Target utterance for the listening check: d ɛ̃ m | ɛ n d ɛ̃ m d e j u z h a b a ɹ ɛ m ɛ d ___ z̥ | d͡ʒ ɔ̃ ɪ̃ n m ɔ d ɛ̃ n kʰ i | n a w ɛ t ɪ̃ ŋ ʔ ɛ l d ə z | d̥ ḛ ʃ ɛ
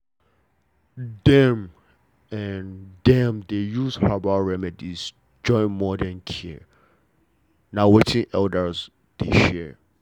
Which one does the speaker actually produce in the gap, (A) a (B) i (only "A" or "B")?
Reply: B